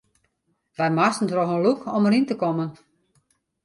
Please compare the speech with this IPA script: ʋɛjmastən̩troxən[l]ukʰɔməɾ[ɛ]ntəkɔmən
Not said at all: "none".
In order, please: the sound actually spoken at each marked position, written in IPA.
l, i

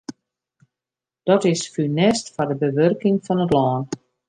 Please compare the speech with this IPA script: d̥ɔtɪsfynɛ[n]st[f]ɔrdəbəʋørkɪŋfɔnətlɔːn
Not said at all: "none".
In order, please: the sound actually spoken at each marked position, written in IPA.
none, f

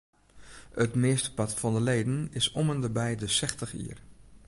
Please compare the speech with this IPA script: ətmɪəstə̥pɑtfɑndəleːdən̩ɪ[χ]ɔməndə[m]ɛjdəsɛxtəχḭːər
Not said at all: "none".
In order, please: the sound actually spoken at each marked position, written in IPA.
s, b

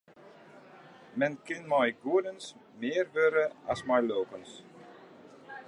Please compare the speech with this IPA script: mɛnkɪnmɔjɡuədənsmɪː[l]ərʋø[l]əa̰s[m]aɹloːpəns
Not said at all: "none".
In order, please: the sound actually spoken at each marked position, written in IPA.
none, ɾ, m

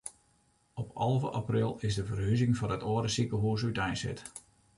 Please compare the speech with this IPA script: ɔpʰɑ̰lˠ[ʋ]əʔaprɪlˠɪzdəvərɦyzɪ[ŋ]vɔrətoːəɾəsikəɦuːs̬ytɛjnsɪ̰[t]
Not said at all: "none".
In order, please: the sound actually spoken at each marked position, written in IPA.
v, ŋ, t

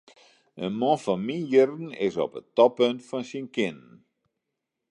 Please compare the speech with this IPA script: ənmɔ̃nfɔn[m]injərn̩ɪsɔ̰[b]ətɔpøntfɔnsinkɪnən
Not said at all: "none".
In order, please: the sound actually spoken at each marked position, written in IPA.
m, p

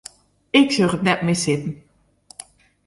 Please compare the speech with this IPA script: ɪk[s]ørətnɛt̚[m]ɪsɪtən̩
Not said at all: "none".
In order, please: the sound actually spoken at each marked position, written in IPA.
s, m

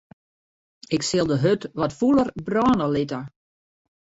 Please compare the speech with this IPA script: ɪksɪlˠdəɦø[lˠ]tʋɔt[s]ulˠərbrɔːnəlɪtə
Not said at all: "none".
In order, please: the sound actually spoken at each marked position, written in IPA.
none, f

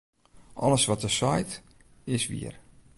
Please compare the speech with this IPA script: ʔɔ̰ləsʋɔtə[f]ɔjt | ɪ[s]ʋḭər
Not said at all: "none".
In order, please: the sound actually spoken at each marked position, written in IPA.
s, s

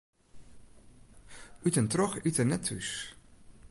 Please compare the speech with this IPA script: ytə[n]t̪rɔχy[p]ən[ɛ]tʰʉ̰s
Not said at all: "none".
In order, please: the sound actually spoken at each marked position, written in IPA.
n, t, ɛ

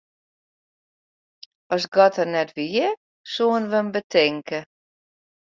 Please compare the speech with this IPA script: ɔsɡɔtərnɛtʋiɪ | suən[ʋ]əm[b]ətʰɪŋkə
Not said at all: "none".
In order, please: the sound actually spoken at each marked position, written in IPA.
ʋ, b

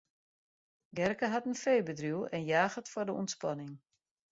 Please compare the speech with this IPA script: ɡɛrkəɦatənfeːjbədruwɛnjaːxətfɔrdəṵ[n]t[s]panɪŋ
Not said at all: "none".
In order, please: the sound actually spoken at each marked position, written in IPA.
n, s

